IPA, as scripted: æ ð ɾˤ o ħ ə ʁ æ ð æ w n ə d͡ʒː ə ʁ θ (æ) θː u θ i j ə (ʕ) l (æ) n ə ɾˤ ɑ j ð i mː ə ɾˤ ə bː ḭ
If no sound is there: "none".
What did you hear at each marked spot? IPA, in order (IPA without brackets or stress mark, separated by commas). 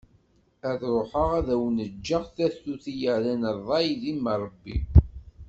æ, ʕ, æ